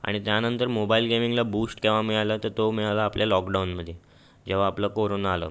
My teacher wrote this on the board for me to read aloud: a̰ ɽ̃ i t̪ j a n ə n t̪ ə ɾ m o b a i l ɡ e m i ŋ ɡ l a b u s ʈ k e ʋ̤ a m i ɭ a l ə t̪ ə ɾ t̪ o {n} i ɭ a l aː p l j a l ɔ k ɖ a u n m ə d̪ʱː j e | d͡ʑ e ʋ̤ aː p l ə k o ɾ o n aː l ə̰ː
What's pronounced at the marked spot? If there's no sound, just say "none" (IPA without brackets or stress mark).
m